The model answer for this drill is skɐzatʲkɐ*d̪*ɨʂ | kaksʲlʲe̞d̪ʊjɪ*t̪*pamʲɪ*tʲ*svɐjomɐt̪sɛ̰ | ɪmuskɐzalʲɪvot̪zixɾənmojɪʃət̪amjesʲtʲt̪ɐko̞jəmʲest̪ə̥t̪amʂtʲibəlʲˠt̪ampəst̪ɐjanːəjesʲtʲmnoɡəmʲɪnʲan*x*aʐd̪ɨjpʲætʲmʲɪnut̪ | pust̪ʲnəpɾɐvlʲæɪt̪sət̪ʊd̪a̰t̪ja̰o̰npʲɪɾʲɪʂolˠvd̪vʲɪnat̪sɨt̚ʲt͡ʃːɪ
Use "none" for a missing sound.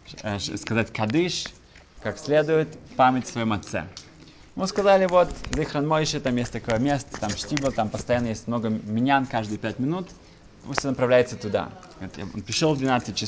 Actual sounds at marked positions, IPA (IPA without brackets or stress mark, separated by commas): d̪, t̪, tʲ, k